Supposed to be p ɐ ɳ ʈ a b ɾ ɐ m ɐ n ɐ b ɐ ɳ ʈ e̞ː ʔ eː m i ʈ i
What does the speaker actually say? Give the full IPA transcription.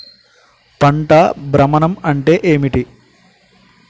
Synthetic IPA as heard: p ɐ ɳ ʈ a b ɾ ɐ m ɐ n ɐ m ɐ ɳ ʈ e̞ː ʔ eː m i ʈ i